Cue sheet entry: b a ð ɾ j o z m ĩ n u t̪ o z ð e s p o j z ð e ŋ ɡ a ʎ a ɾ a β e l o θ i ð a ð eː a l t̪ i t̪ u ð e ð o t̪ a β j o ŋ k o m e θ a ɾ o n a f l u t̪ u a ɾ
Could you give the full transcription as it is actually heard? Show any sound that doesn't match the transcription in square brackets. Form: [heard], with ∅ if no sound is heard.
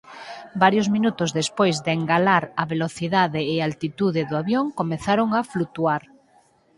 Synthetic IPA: b a [∅] ɾ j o z m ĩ n u t̪ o z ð e s p o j z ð e ŋ ɡ a [l] a ɾ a β e l o θ i ð a ð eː a l t̪ i t̪ u ð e ð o [∅] a β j o ŋ k o m e θ a ɾ o [ŋ] a f l u t̪ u a ɾ